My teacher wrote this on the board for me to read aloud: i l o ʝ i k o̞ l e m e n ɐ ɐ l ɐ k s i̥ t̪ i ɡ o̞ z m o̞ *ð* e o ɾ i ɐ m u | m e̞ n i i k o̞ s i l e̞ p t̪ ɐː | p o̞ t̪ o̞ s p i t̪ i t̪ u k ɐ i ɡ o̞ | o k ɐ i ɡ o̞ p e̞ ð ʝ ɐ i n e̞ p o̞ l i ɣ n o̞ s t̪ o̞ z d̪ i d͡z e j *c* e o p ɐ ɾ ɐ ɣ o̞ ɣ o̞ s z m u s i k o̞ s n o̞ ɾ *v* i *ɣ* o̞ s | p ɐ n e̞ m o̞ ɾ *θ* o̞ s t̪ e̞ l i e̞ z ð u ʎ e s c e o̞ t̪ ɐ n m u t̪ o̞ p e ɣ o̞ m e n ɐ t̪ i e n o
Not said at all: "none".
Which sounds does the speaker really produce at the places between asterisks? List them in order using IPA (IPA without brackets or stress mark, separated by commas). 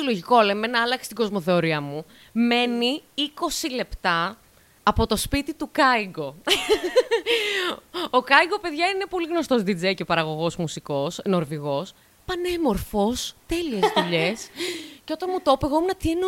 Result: θ, c, v, ɣ, f